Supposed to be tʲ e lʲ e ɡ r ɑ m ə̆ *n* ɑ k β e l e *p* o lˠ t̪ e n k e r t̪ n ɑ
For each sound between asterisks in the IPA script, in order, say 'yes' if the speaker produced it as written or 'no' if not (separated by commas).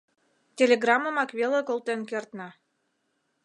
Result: no, no